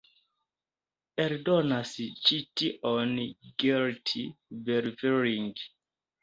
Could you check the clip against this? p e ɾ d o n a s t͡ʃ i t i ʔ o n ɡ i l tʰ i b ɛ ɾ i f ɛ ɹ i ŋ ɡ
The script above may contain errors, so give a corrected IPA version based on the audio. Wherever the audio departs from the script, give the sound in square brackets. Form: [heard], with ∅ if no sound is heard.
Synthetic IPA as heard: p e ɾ d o n a s t͡ʃ i t i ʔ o n ɡ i l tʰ i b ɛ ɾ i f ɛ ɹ i ŋ ɡ